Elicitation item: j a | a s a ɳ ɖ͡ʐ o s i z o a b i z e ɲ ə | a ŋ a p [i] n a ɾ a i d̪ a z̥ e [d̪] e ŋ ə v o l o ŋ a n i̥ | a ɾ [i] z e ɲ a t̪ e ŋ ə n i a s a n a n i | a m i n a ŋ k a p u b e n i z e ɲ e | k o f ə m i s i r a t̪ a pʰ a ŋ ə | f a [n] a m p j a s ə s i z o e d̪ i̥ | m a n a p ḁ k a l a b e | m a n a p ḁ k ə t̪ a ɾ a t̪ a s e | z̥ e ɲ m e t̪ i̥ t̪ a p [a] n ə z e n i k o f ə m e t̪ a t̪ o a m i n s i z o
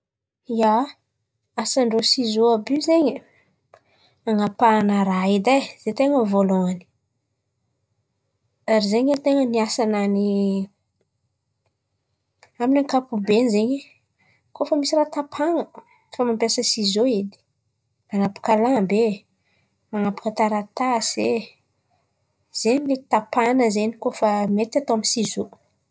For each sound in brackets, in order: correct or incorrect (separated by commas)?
incorrect, incorrect, correct, incorrect, correct